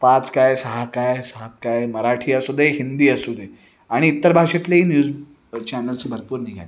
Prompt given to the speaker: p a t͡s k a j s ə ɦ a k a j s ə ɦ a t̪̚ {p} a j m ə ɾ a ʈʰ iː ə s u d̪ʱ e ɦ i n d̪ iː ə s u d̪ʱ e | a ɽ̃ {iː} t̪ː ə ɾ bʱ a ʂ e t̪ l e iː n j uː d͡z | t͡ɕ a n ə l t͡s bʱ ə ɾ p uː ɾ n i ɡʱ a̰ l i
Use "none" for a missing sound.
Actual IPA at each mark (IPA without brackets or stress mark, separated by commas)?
k, iː